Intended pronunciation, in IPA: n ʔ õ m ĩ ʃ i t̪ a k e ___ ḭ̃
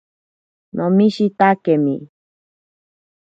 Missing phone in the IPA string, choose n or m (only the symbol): m